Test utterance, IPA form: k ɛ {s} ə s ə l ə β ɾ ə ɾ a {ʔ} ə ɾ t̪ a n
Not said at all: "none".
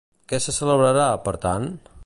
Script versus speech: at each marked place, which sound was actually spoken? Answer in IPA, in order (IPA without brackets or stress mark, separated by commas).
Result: s, p